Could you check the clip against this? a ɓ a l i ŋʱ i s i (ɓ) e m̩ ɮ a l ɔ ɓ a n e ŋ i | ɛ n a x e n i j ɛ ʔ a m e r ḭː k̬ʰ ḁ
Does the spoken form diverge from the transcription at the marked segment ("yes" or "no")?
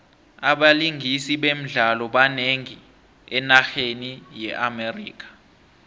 no